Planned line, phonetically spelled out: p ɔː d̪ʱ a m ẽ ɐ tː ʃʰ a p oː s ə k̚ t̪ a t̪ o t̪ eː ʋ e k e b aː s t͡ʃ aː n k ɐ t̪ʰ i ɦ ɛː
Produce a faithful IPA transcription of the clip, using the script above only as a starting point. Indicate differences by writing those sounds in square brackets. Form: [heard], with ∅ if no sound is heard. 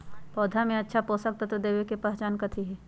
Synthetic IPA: p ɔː d̪ʱ a m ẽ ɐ tː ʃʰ a p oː s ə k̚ t̪ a t̪ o [d̪] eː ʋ e k e [p] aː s t͡ʃ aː n k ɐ t̪ʰ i ɦ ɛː

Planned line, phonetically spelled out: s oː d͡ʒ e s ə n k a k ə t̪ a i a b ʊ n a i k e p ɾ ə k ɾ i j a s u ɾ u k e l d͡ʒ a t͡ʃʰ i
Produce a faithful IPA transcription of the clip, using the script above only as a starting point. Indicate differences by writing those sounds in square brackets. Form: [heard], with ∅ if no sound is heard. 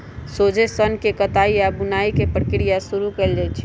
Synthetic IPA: s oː d͡ʒ e s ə n k [e] k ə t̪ a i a b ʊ n a i k e p ɾ ə k ɾ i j a s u ɾ u k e l d͡ʒ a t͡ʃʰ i

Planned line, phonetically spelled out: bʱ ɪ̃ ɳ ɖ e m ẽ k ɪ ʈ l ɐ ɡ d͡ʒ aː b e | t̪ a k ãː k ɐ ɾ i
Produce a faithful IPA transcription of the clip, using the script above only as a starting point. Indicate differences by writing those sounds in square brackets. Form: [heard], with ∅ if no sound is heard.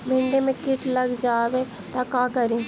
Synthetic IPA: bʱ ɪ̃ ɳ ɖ e m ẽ k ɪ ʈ l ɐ ɡ d͡ʒ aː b e | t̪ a k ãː k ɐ ɾ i

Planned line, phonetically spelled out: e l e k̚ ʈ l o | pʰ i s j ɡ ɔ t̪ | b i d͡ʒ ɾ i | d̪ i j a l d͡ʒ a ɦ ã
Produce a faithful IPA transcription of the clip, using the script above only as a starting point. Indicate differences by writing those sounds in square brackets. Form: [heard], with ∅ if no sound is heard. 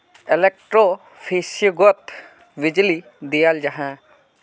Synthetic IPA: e l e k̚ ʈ [ɾ] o | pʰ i s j ɡ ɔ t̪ | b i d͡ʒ [l] i | d̪ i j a l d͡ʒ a ɦ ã

